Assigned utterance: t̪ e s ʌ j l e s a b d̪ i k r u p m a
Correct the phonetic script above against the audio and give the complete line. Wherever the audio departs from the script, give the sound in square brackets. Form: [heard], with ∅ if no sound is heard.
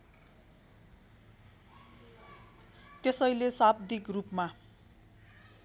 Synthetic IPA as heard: t̪ e s ʌ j l e s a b d̪ i k r u p m a